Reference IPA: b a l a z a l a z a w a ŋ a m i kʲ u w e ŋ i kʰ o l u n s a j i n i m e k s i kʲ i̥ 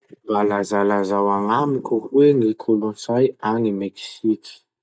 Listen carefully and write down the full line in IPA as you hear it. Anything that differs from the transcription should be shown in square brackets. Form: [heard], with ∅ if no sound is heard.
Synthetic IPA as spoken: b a l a z a l a z a w a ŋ a m i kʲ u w e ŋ i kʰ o l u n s a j [a] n i m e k s i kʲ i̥